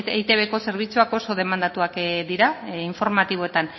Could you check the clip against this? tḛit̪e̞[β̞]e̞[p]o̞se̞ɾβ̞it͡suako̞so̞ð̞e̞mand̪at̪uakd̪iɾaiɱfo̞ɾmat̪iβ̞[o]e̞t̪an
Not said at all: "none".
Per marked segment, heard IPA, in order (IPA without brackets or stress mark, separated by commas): β̞, k, o